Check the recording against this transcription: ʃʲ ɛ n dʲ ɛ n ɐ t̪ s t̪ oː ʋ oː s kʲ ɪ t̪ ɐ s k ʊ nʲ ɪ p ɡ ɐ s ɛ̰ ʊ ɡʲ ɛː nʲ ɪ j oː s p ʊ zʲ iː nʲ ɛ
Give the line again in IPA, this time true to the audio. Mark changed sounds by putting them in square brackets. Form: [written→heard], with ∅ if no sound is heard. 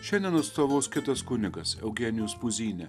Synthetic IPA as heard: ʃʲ ɛ n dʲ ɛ n ɐ t̪ s t̪ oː ʋ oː s kʲ ɪ t̪ ɐ s k ʊ nʲ ɪ [p→∅] ɡ ɐ s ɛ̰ ʊ ɡʲ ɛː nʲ ɪ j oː s p ʊ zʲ iː nʲ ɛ